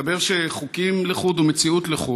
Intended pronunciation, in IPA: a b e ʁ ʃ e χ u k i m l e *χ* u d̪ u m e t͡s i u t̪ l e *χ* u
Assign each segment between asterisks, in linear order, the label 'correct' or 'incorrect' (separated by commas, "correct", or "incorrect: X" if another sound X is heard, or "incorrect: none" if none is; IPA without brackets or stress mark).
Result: correct, correct